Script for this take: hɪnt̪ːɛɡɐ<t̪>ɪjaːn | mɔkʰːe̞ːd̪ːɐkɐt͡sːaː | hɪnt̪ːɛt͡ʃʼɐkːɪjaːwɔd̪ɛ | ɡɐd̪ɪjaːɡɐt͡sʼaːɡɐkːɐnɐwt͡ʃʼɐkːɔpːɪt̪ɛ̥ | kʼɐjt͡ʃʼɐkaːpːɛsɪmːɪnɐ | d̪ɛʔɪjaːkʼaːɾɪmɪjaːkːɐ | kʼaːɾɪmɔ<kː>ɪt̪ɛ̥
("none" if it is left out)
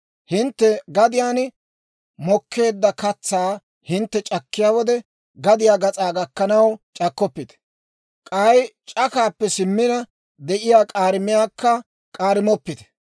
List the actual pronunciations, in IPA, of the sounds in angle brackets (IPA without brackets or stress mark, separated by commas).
d̪, pː